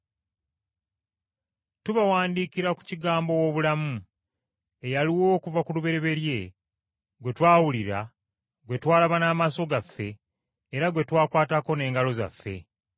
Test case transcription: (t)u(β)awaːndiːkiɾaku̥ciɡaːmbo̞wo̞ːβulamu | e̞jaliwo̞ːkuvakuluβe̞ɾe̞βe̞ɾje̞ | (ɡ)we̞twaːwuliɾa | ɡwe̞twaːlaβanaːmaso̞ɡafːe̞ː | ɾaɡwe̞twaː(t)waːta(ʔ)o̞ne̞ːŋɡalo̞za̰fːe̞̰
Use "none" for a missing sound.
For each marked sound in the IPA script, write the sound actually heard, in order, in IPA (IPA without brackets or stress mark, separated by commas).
t, β, ɡ, k, k